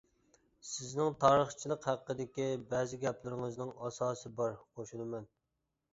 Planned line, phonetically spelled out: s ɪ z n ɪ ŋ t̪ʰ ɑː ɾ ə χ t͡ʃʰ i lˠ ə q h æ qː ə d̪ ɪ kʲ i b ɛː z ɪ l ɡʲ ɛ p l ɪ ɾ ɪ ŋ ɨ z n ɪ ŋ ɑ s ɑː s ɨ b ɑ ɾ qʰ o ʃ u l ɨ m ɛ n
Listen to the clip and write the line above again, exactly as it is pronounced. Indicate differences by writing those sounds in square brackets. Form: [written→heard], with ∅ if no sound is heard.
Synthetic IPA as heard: s ɪ z n ɪ ŋ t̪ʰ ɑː ɾ ə χ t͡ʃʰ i lˠ ə q h æ qː ə d̪ ɪ kʲ i b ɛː z ɪ [l→∅] ɡʲ ɛ p l ɪ ɾ ɪ ŋ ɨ z n ɪ ŋ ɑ s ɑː s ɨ b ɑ ɾ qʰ o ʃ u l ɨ m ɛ n